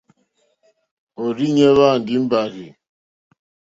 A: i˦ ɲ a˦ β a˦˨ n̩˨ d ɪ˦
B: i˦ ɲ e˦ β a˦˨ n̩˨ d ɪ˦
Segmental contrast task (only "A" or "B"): B